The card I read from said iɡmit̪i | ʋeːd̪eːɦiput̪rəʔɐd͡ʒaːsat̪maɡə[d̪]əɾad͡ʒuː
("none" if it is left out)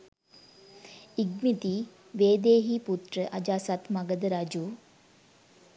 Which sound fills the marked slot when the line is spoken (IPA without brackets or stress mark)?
d̪